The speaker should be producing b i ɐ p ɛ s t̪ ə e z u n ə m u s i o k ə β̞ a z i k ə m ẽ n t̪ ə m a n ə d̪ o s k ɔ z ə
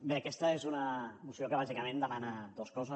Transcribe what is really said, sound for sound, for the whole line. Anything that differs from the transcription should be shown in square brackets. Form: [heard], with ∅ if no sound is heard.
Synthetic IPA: b [e] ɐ [k] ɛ s t̪ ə e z u n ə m u s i o k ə β̞ a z i k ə m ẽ n [d̪] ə m a n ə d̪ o s k ɔ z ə